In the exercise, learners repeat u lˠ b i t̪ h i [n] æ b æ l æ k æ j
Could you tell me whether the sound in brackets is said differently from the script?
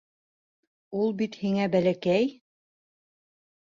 yes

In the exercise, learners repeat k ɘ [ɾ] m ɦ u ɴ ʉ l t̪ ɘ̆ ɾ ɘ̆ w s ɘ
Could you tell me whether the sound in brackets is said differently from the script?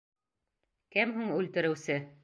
yes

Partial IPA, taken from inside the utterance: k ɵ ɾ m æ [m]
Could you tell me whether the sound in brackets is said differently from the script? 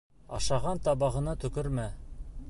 yes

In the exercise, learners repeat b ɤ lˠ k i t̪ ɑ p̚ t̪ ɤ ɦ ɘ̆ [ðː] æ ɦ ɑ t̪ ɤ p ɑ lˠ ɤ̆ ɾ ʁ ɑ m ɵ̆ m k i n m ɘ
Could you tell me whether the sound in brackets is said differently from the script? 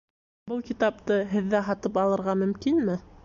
no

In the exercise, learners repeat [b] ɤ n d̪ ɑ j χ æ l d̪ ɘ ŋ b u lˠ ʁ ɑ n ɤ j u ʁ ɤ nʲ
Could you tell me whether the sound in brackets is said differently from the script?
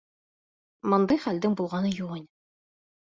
yes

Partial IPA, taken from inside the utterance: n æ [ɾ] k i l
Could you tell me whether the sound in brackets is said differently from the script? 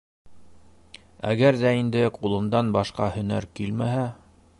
no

